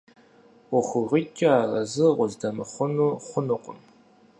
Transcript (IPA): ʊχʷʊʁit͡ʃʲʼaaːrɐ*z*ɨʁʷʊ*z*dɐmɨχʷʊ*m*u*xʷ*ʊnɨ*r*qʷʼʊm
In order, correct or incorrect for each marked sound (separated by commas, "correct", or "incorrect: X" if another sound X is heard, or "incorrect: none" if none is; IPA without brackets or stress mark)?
correct, correct, incorrect: n, incorrect: χʷ, incorrect: none